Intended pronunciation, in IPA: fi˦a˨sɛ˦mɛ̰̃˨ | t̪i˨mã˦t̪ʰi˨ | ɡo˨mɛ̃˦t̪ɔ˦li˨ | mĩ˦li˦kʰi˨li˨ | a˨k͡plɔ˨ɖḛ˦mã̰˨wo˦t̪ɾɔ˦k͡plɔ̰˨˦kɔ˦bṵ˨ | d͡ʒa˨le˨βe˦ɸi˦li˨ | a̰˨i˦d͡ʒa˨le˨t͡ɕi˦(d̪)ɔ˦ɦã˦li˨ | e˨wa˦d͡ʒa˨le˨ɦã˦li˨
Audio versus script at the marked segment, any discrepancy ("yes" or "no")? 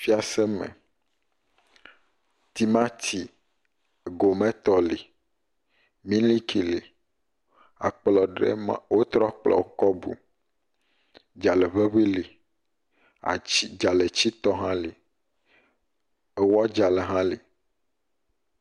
yes